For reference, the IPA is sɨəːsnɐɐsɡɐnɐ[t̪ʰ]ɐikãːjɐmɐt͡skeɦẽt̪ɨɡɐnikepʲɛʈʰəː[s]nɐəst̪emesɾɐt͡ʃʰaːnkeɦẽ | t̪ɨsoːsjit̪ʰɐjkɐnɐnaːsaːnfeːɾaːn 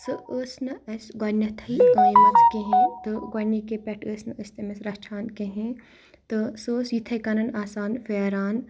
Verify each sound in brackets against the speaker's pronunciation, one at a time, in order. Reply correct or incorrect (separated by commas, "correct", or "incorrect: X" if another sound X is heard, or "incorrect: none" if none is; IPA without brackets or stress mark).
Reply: correct, correct